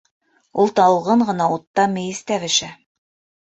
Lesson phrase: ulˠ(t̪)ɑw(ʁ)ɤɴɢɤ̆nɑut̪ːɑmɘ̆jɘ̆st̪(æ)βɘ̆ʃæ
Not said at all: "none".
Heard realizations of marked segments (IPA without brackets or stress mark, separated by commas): t̪, ʁ, æ